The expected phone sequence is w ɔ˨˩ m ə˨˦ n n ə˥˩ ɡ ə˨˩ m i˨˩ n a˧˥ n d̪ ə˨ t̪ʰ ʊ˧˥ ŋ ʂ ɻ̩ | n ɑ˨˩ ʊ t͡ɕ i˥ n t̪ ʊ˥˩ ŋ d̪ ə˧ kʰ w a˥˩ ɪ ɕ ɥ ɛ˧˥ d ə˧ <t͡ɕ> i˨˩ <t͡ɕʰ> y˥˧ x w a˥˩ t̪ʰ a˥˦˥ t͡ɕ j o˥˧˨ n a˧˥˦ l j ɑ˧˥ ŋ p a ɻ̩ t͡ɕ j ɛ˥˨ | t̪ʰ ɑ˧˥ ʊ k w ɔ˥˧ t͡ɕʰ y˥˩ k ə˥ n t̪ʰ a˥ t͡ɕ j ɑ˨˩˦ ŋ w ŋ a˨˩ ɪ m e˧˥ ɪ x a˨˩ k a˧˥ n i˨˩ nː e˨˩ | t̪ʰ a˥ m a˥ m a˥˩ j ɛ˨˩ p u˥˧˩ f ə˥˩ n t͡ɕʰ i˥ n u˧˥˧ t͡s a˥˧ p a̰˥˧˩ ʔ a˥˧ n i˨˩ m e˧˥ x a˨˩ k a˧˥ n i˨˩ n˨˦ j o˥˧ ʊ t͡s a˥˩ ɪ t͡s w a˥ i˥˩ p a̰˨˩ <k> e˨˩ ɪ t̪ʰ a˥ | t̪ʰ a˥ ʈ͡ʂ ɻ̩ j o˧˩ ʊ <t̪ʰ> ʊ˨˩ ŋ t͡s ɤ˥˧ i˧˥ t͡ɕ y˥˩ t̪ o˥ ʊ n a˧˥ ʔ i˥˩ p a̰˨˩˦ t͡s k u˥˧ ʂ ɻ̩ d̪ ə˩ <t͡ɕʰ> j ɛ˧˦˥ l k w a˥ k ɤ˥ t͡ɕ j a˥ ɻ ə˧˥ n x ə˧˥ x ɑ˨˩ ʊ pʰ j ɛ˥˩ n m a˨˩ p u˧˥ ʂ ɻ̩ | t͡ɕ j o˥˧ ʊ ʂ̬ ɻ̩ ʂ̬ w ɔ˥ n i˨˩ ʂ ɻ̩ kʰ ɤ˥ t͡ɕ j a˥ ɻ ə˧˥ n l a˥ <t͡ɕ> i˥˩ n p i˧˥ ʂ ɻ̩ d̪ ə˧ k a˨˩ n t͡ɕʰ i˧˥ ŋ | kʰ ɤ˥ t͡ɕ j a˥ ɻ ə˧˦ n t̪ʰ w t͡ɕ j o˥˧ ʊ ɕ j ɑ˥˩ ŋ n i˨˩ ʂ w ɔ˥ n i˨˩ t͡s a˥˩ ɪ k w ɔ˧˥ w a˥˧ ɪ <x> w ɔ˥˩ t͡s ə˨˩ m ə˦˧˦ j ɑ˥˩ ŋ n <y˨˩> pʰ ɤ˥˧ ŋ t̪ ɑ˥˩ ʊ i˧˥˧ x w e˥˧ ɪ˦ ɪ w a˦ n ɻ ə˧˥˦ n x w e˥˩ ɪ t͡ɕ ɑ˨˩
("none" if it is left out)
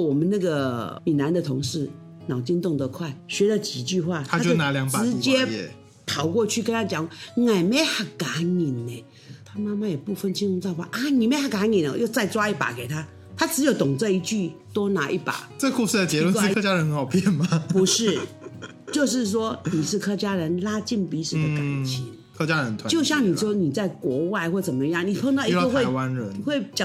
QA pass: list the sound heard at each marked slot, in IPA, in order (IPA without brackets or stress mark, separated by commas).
t͡ɕ, t͡ɕ, k, t̪, t͡ɕ, t͡ɕ, x, i˨˩